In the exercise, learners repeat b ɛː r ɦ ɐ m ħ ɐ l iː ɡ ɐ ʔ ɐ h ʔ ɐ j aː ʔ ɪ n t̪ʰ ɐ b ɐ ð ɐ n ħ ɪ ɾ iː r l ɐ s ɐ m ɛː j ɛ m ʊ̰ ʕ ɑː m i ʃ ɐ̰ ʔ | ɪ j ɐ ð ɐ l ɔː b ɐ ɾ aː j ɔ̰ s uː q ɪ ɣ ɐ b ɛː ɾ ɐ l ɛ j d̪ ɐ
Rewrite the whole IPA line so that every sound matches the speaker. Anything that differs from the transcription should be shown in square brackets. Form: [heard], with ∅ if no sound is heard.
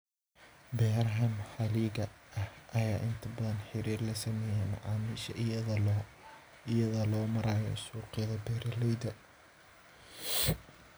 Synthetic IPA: b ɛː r ɦ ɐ m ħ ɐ l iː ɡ ɐ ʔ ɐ h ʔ ɐ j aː ʔ ɪ n t̪ʰ ɐ b ɐ ð ɐ n ħ ɪ ɾ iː r l ɐ s ɐ m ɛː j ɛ m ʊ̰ ʕ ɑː m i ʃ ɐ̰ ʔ | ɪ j ɐ ð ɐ l ɔː [m] ɐ ɾ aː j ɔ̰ s uː q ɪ [ð] ɐ b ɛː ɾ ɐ l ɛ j d̪ ɐ

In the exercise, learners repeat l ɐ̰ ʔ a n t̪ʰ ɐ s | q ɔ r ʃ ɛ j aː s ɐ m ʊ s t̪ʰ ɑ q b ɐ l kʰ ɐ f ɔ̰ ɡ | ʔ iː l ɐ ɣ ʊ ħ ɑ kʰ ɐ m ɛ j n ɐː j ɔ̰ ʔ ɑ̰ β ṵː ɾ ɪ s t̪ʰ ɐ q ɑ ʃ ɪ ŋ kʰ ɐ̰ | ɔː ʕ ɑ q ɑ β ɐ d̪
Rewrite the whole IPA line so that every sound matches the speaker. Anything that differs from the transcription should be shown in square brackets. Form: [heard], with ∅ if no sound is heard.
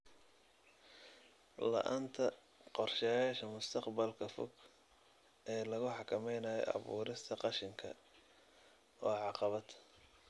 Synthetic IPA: l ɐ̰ ʔ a n t̪ʰ ɐ [∅] | q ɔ r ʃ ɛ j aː [ʃ] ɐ m ʊ s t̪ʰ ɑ q b ɐ l kʰ ɐ f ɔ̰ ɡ | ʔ [ɛː] l ɐ ɣ ʊ ħ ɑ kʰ ɐ m ɛ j n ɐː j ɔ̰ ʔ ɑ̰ β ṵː ɾ ɪ s t̪ʰ ɐ q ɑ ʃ ɪ ŋ kʰ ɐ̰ | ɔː ʕ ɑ q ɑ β ɐ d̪

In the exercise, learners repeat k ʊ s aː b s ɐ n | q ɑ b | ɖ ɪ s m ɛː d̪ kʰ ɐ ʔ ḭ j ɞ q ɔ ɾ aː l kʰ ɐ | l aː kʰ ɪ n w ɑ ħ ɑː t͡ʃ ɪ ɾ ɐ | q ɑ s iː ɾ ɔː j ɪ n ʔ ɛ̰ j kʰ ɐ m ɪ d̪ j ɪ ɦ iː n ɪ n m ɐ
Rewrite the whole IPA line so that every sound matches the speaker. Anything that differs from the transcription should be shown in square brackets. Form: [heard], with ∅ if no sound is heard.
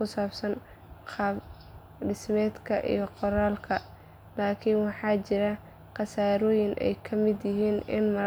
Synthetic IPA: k ʊ s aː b s ɐ n | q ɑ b | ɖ ɪ s m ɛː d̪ kʰ ɐ ʔ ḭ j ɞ q ɔ ɾ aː l kʰ ɐ | l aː kʰ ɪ n w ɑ ħ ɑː t͡ʃ ɪ ɾ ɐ | q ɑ s [aː] ɾ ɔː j ɪ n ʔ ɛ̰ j kʰ ɐ m ɪ d̪ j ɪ ɦ iː n ɪ n m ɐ

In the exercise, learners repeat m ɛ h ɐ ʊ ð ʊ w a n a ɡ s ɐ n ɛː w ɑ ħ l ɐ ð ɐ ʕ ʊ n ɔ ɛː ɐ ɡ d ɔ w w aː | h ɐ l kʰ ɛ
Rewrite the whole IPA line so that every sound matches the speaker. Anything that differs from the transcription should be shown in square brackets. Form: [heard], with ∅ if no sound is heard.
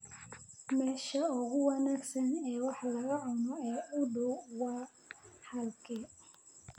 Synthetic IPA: m ɛ [ʃ] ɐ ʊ [ɣ] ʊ w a n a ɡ s ɐ n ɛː w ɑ ħ l ɐ [ɣ] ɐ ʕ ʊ n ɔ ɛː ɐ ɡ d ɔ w w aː | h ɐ l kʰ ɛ

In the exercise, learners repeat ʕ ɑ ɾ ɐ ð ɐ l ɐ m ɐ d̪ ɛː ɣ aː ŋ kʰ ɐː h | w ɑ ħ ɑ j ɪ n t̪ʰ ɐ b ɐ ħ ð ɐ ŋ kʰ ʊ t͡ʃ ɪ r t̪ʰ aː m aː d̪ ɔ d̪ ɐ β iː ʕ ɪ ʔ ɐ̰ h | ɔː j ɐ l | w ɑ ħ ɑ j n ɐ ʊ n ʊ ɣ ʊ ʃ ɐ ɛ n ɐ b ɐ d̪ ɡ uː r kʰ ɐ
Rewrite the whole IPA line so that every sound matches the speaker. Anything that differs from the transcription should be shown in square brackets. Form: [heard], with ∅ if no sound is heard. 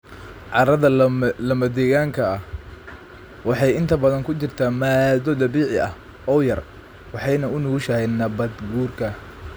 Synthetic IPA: ʕ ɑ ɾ ɐ ð ɐ l ɐ m ɐ d̪ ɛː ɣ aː ŋ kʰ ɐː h | w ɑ ħ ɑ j ɪ n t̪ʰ ɐ b ɐ [∅] ð ɐ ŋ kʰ ʊ t͡ʃ ɪ r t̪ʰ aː m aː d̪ ɔ d̪ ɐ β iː ʕ ɪ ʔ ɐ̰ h | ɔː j ɐ [r] | w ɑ ħ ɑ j n ɐ ʊ n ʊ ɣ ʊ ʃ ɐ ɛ n ɐ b ɐ d̪ ɡ uː r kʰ ɐ

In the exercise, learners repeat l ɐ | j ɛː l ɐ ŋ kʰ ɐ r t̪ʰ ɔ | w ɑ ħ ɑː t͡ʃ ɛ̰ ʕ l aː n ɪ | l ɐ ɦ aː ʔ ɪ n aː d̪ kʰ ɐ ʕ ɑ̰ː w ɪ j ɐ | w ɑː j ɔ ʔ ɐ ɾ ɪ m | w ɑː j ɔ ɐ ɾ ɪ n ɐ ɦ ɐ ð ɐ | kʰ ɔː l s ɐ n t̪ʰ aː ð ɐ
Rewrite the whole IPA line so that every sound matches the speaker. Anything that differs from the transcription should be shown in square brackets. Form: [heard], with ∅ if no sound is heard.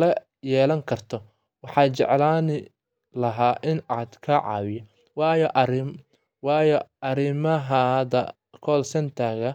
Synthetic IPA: l ɐ | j ɛː l ɐ ŋ kʰ ɐ r t̪ʰ ɔ | w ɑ ħ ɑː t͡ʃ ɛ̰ ʕ l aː n ɪ | l ɐ ɦ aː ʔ ɪ n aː d̪ kʰ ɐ ʕ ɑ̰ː w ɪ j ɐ | w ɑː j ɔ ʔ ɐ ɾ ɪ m | w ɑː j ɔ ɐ ɾ ɪ [m] ɐ ɦ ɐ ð ɐ | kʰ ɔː l s ɐ n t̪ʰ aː [ɣ] ɐ

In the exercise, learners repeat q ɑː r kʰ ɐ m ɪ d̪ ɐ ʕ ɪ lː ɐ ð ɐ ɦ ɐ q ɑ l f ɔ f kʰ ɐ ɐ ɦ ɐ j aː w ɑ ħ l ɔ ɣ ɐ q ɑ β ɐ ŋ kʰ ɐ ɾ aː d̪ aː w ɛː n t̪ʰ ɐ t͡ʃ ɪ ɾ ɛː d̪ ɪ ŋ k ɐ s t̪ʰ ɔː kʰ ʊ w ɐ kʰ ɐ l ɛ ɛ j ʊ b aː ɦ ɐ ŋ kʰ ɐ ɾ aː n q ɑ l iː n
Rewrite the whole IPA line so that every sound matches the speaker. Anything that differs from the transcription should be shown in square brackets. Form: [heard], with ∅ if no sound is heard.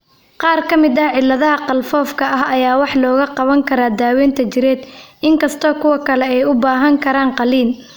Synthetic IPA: q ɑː r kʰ ɐ m ɪ d̪ ɐ ʕ ɪ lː ɐ ð ɐ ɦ ɐ q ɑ l f [ɔː] f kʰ ɐ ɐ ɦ ɐ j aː w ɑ ħ l [ɔː] ɣ ɐ q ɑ β ɐ ŋ kʰ ɐ ɾ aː d̪ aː w ɛː n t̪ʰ ɐ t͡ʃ ɪ ɾ ɛː d̪ ɪ ŋ k ɐ s t̪ʰ ɔː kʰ ʊ w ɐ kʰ ɐ l ɛ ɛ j ʊ b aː ɦ ɐ ŋ kʰ ɐ ɾ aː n q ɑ l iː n

